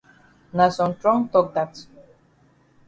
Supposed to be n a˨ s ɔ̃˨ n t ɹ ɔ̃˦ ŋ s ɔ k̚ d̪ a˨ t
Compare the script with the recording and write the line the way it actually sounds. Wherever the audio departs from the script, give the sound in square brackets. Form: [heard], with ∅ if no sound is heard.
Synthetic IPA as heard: n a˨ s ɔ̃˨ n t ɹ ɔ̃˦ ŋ [t] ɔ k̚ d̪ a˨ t

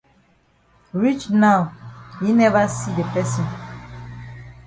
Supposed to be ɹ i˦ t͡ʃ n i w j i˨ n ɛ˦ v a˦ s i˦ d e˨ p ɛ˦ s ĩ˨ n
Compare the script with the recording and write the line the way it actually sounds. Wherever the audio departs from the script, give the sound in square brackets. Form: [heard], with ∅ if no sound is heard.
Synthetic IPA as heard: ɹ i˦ t͡ʃ n [a] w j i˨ n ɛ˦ v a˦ s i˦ d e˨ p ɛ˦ s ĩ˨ n

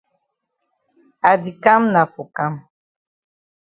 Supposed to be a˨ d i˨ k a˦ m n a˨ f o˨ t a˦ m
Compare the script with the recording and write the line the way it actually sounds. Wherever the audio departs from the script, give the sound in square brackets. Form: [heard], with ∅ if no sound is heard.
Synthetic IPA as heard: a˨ d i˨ k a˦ m n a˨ f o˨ [k] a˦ m

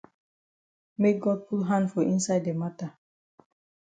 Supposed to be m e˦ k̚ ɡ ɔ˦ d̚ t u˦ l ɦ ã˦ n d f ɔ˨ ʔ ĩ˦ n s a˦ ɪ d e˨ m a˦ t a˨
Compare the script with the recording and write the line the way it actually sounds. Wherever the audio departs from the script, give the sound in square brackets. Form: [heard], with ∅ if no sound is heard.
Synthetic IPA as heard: m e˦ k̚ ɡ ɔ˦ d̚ [p] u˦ l ɦ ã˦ n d f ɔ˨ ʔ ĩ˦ n s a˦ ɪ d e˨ m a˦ t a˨

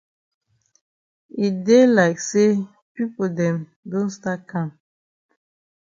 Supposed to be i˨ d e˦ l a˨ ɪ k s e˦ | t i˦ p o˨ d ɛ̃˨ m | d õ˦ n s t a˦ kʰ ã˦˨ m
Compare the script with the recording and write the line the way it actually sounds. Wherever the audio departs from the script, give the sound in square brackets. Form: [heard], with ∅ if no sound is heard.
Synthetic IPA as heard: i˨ d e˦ l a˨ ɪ k s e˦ | [p] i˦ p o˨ d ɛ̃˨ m | d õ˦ n s t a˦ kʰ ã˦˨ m

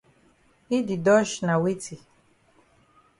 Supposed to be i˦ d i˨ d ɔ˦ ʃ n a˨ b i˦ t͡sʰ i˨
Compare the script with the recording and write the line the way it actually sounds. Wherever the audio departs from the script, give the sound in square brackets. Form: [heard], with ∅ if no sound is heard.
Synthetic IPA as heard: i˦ d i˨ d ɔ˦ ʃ n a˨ [w] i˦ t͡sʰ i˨

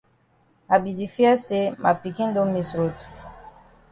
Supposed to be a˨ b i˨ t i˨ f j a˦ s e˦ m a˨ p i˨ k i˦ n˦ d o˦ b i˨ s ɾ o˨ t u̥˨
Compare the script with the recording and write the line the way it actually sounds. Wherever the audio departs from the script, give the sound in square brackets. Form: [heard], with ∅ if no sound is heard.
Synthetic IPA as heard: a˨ b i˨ [d] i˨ f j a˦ s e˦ m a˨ p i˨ k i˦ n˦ d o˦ [m] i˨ s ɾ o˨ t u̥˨

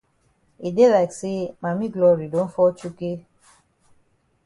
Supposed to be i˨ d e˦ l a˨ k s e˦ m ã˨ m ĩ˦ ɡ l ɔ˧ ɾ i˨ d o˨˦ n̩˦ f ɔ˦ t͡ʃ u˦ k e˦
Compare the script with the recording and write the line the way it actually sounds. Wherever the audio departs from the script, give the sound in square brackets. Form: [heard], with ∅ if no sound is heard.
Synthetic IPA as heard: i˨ d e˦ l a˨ k s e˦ m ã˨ m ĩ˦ ɡ l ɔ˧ ɾ i˨ d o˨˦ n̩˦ f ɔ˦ t͡ʃ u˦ k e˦

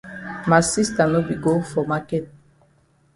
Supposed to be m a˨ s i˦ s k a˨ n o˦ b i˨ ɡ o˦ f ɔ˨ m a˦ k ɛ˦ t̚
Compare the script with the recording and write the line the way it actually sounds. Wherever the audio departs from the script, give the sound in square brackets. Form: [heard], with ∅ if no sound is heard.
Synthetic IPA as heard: m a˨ s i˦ s [t] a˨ n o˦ b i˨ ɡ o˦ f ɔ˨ m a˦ k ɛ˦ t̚

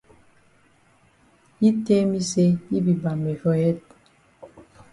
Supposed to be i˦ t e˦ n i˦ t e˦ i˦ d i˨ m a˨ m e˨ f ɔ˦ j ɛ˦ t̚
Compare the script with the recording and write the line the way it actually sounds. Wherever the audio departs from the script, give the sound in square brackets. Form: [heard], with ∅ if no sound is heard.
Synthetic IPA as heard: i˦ t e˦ [m] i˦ [s] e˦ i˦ [b] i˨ [b] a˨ m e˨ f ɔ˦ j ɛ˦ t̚

